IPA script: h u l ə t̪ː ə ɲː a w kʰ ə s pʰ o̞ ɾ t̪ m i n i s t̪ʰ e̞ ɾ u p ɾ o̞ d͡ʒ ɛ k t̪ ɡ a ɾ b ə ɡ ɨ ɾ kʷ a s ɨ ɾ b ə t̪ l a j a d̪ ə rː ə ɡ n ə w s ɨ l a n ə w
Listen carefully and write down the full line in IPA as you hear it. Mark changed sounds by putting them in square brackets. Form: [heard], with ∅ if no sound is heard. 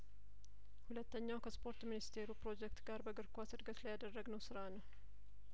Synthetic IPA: h u l ə t̪ː ə ɲː a w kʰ ə s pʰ o̞ ɾ t̪ m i n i s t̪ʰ e̞ ɾ u p ɾ o̞ d͡ʒ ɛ k t̪ ɡ a ɾ b ə ɡ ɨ ɾ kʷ a s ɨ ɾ [ɡ] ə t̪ l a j a d̪ ə rː ə ɡ n ə w s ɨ [ɾ] a n ə w

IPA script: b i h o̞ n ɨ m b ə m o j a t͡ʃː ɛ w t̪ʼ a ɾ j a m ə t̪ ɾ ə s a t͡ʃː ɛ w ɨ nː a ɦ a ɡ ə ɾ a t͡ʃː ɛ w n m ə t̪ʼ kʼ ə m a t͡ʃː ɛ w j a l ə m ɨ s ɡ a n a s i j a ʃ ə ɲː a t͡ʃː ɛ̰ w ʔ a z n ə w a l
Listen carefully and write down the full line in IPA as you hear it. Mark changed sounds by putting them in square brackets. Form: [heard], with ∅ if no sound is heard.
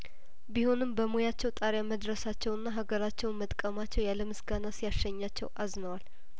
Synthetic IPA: b i h o̞ n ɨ m b ə m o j a t͡ʃː ɛ w t̪ʼ a ɾ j a m ə [d̪] ɾ ə s a t͡ʃː ɛ w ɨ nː a ɦ a ɡ ə ɾ a t͡ʃː ɛ w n m ə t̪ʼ kʼ ə m a t͡ʃː ɛ w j a l ə m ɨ s ɡ a n a s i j a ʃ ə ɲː a t͡ʃː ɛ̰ w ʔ a z n ə w a l

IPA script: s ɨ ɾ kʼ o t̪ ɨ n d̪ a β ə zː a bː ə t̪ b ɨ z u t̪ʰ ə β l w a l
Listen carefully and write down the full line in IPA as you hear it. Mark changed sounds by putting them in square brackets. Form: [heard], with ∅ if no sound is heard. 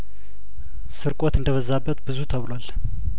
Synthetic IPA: s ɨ ɾ kʼ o t̪ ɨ n d̪ [ə] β ə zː a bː ə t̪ b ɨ z u t̪ʰ ə β l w a l

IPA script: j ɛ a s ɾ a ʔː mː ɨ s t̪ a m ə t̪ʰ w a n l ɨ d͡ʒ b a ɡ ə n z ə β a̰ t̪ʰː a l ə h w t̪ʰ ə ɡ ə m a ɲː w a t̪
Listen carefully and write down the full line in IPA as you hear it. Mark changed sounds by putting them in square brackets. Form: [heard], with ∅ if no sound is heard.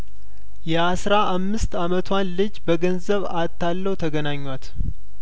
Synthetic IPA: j ɛ a s ɾ a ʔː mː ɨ s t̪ a m ə t̪ʰ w a n l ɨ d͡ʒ b [ə] ɡ ə n z ə β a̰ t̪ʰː a [lː] ə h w t̪ʰ ə ɡ ə [n] a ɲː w a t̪

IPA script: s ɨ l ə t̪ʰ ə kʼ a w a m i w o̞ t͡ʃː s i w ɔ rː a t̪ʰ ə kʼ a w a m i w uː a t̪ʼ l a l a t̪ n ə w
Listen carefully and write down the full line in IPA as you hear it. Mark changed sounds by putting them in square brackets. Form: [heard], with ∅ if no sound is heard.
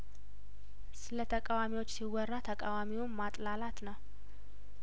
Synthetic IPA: s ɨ l ə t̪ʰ ə kʼ a w a m i w o̞ t͡ʃː s i w ɔ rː a t̪ʰ ə kʼ a w a m i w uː a t̪ʼ l a l a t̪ n ə w

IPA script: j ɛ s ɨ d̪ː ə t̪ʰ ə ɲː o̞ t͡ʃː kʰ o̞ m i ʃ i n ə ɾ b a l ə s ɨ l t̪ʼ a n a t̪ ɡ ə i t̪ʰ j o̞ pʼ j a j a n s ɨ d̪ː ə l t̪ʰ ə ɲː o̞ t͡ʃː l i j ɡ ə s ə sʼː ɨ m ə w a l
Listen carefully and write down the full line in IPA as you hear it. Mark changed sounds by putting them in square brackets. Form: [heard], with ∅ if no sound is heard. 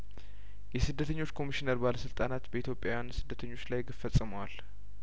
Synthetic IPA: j ɛ s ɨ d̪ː ə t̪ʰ ə ɲː o̞ t͡ʃː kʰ o̞ m i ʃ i n ə ɾ b a l ə s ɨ l t̪ʼ a n a t̪ [b] ə i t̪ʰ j o̞ pʼ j a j a n s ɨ d̪ː ə [∅] t̪ʰ ə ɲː o̞ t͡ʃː l [a] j ɡ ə [f] ə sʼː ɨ m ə w a l

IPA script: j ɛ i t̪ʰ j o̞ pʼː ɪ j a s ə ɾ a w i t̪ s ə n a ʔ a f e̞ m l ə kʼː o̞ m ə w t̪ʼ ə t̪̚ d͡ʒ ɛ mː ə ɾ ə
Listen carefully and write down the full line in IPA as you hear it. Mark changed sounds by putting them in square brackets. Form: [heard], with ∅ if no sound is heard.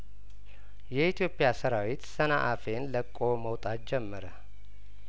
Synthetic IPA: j ɛ i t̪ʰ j o̞ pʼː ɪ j a s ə ɾ a w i t̪ s ə n a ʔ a f e̞ [n] l ə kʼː o̞ m ə w t̪ʼ [a] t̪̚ d͡ʒ ɛ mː ə ɾ ə

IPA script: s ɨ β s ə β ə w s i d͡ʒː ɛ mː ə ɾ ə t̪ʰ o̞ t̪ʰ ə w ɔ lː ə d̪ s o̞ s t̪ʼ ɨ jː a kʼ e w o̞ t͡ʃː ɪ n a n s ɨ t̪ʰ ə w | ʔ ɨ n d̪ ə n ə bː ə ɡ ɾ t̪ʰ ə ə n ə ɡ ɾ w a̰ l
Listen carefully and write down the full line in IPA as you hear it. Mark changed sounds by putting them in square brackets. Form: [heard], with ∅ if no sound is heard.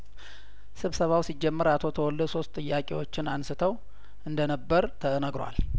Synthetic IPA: s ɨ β s ə β [a] w s i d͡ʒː ɛ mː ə ɾ [a] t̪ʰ o̞ t̪ʰ ə w ɔ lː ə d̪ s o̞ s t̪ʼ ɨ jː a kʼ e w o̞ t͡ʃː ɪ n a n s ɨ t̪ʰ ə w | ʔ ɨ n d̪ ə n ə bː ə [∅] ɾ t̪ʰ ə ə n ə ɡ ɾ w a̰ l

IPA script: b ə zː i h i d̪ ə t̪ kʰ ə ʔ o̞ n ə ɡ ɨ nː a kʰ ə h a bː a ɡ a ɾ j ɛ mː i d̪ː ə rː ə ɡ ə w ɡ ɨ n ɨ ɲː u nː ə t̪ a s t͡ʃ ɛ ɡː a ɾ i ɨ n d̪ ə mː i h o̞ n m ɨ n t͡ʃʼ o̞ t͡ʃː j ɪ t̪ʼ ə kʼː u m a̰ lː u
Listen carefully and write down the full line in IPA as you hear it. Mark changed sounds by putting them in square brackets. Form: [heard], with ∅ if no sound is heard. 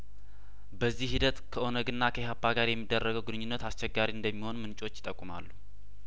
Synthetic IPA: b ə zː i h i d̪ ə t̪ kʰ ə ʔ o̞ n ə ɡ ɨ nː a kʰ ə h a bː a ɡ a ɾ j ɛ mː i d̪ː ə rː ə ɡ ə w ɡ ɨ n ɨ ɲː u nː ə t̪ a s t͡ʃ ɛ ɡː a ɾ i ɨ n d̪ ə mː i h o̞ n m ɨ n t͡ʃʼ o̞ t͡ʃː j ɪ t̪ʼ ə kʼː u m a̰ lː u

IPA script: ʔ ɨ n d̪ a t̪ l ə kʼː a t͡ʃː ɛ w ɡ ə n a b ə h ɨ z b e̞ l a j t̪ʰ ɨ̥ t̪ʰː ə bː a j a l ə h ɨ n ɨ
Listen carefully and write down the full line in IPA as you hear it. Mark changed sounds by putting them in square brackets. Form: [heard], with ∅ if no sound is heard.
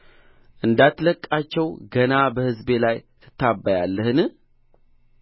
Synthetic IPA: ʔ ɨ n d̪ a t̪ l ə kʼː a t͡ʃː ɛ w ɡ ə n a b ə h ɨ z b e̞ l a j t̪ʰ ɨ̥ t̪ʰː [a] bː a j a [lː] ə h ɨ n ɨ

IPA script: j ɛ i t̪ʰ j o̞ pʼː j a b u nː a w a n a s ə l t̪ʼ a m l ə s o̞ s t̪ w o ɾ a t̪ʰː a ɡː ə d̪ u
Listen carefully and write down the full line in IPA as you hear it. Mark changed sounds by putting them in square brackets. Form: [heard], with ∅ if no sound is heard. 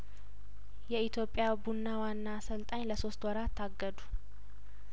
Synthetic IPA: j ɛ i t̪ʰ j o̞ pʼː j a b u nː a w a [nː] a s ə l t̪ʼ a [ɲ] l ə s o̞ s t̪ w [ɔ] ɾ a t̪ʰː a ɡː ə d̪ u

